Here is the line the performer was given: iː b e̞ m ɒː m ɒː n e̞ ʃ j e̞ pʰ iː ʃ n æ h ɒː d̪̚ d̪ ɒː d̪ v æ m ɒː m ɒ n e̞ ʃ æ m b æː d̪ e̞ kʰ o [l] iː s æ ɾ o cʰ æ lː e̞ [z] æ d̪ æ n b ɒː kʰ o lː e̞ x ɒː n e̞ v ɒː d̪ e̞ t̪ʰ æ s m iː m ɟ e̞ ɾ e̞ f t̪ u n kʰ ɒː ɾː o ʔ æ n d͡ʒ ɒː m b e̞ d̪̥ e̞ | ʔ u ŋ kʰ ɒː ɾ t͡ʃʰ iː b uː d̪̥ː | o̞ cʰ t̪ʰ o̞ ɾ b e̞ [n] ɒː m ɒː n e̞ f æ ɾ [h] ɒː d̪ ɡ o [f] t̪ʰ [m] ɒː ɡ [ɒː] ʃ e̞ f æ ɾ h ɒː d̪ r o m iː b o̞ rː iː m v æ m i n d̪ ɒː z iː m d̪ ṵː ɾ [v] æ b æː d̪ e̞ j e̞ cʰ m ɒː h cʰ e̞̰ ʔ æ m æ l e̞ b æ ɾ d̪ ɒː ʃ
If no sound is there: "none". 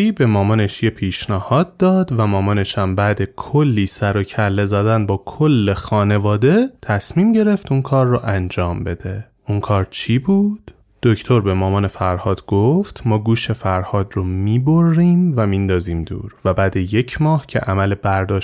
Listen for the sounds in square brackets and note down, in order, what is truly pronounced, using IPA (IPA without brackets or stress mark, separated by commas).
lː, z, m, h, f, m, uː, v